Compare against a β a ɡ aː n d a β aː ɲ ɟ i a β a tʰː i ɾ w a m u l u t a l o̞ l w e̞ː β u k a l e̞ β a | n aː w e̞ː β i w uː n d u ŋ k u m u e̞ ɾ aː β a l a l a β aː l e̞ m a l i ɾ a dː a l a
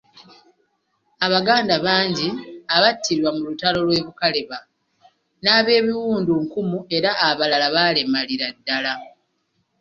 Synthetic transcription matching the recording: a β a ɡ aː n d a β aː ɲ ɟ i a β a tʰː i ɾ w a m u l u t a l o̞ l w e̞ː β u k a l e̞ β a | n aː β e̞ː β i w uː n d u ŋ k u m u e̞ ɾ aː β a l a l a β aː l e̞ m a l i ɾ a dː a l a